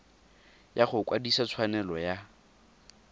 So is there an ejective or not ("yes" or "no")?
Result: no